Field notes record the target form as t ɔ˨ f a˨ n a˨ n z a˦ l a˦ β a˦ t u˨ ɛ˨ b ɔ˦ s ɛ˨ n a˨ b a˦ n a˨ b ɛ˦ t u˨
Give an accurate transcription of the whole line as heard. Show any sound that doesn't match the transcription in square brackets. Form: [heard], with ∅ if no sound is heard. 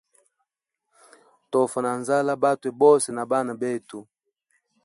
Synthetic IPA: t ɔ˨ f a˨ n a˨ n z a˦ l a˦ [b] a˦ t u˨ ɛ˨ b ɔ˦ s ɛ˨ n a˨ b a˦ n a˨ b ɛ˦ t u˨